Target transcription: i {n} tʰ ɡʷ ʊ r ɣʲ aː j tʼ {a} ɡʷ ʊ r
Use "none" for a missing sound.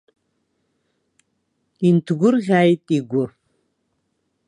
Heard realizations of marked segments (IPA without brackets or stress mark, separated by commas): n, i